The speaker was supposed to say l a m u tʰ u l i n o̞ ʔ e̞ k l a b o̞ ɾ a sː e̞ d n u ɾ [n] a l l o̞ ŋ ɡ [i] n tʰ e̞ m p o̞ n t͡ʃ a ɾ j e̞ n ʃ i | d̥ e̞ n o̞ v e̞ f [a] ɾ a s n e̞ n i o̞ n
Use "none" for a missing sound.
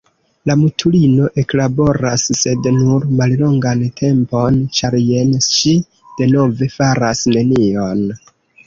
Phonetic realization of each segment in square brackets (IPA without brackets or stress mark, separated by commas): m, a, a